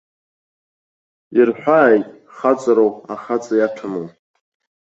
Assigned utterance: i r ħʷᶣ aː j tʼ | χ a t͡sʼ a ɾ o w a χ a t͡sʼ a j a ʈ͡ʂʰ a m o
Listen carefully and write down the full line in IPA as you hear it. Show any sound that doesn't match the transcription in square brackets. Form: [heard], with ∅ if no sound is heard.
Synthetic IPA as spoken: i r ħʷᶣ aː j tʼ | χ a t͡sʼ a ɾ o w a χ a t͡sʼ a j a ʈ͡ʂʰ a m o